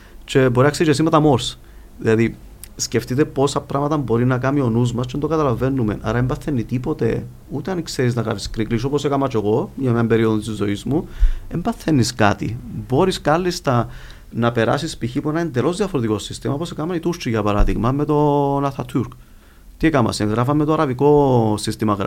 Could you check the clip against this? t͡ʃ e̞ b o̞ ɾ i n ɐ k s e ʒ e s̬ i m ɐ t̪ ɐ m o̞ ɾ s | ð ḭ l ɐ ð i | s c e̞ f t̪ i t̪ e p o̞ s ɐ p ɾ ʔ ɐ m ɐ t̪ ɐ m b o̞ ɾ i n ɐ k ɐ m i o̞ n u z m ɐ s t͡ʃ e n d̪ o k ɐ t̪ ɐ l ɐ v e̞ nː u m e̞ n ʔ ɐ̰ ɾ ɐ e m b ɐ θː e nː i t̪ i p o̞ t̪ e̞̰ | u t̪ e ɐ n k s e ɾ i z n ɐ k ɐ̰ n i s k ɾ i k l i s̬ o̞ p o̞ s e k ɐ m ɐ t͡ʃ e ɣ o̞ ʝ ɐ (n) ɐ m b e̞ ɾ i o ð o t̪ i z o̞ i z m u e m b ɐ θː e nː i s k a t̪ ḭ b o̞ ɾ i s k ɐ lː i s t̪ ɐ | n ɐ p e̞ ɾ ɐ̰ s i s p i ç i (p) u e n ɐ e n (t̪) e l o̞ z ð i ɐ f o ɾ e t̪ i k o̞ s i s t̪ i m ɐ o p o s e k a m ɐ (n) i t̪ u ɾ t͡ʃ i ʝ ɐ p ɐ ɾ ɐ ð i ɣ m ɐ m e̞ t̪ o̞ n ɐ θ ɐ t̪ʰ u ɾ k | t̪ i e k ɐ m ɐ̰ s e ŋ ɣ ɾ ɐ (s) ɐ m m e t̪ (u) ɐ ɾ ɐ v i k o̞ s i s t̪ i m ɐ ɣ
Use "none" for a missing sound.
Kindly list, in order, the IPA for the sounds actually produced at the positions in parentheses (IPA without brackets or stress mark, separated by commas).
m, p, d̪, n, f, o